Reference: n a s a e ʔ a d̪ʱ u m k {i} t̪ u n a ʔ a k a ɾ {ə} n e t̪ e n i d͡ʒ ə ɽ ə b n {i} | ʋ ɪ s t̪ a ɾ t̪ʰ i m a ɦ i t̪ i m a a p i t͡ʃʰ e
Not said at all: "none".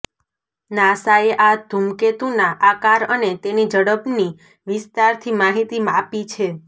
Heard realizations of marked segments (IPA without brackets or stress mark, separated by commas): e, ə, i